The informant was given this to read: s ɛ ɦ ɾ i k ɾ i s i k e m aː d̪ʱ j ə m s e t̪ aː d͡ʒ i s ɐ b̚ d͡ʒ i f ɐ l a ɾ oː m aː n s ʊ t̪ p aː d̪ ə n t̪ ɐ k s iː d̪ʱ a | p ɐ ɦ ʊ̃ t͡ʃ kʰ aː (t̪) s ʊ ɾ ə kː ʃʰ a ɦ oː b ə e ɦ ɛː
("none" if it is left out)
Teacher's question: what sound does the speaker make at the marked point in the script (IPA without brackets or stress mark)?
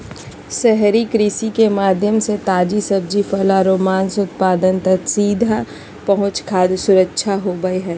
d̪